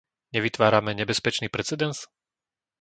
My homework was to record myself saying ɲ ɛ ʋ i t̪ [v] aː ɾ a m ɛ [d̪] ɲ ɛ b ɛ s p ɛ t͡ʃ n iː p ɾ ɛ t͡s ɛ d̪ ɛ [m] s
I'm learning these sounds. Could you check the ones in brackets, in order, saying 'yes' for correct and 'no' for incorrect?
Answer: no, no, no

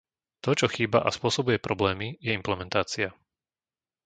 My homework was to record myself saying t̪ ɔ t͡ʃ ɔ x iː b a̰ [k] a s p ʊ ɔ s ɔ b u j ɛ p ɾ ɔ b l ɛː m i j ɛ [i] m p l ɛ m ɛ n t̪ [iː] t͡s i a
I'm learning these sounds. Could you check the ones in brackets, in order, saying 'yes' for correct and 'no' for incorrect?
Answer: no, yes, no

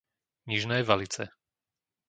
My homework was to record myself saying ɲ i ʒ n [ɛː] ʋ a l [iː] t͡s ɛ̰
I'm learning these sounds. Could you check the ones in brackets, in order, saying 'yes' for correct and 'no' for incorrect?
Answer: yes, no

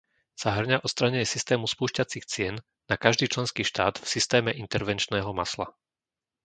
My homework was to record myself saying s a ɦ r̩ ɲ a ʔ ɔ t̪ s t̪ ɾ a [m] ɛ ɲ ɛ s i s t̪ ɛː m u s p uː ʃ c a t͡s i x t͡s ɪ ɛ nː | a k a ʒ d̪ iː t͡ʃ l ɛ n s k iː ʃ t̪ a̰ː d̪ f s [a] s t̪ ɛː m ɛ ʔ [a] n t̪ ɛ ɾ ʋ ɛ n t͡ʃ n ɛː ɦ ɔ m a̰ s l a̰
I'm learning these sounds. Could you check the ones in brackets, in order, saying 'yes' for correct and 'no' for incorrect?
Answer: no, no, no

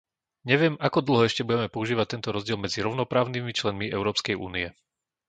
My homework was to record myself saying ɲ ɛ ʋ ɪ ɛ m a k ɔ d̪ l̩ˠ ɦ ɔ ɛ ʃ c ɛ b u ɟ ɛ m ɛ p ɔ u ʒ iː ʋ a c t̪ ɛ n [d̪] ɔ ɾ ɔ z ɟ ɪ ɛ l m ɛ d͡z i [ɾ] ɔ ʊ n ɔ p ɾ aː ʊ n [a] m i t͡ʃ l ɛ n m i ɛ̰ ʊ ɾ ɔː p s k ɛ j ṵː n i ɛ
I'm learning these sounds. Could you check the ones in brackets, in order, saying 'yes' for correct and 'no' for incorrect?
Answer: no, yes, no

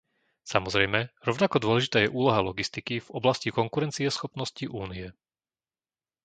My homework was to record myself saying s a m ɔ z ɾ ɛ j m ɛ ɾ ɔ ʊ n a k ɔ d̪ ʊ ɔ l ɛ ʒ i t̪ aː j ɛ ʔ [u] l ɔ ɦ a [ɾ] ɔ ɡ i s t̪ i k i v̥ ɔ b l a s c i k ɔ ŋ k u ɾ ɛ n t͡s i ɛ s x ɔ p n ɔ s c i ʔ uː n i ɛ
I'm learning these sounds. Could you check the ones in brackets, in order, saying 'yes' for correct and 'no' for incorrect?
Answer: no, no

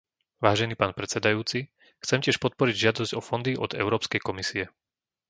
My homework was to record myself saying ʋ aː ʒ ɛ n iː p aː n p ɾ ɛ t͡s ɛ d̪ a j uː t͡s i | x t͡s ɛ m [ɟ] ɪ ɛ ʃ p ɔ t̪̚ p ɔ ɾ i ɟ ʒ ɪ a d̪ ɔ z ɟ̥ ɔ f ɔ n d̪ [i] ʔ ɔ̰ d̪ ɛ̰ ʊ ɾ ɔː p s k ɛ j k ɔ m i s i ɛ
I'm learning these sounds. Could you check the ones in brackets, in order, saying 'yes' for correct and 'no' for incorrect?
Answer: no, yes

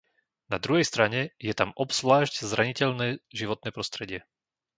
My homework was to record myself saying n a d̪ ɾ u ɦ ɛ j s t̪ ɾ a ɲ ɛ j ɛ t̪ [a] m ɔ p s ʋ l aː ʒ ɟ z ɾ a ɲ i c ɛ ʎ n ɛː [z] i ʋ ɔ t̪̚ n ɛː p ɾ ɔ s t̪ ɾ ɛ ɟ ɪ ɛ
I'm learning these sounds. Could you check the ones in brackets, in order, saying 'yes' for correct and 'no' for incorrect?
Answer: yes, no

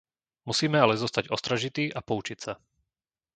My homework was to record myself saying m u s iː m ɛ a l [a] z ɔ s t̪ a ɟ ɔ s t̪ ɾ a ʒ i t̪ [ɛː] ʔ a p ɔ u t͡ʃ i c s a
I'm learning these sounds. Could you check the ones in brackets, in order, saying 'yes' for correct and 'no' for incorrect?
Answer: no, no

